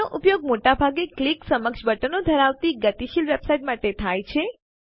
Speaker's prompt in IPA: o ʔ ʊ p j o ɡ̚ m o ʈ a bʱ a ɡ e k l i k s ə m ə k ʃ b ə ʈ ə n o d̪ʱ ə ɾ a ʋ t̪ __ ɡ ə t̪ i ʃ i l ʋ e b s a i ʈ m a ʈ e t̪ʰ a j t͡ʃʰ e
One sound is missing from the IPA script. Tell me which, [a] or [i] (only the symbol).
i